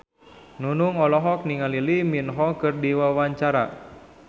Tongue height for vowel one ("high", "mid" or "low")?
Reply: high